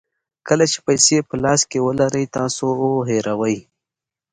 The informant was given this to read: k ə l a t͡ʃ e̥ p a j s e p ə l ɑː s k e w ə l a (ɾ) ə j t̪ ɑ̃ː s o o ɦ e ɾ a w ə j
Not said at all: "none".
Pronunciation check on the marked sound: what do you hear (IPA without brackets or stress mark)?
ɾ